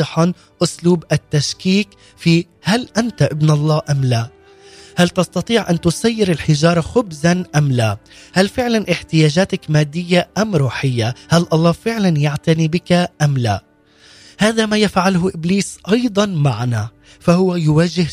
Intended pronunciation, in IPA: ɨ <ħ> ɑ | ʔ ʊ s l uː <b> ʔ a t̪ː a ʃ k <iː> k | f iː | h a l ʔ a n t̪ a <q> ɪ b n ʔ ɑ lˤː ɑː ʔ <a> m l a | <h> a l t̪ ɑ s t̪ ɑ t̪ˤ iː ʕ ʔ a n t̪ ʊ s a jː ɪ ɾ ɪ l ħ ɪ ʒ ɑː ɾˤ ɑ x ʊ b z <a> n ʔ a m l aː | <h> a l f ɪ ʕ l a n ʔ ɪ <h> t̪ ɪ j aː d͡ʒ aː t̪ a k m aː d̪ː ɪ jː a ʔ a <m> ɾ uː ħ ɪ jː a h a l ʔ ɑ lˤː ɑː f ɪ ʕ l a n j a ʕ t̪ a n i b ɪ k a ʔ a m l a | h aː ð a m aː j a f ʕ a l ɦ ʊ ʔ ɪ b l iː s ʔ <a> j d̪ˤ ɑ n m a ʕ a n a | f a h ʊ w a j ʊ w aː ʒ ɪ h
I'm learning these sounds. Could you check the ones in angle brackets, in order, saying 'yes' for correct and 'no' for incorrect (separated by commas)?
yes, yes, yes, no, yes, yes, yes, yes, no, yes, no